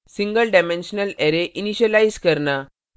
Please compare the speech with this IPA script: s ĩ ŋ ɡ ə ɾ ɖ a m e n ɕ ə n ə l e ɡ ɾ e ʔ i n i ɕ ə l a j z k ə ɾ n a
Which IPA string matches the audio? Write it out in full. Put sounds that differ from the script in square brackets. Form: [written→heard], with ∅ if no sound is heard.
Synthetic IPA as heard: s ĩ ŋ ɡ ə [ɾ→l] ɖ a m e n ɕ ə n ə l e [ɡ→∅] ɾ e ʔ i n i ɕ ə l a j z k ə ɾ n a